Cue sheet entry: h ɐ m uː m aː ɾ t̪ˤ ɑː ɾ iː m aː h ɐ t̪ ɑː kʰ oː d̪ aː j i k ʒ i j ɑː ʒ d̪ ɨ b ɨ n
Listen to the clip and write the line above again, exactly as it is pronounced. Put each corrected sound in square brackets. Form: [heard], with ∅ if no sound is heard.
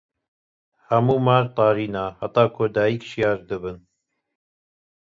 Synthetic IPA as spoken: h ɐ m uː m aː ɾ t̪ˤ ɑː ɾ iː [n] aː h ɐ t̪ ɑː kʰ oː d̪ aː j i k [ʃ] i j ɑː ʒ d̪ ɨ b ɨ n